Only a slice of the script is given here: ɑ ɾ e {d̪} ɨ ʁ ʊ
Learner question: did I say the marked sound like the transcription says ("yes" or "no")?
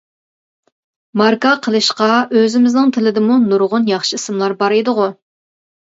yes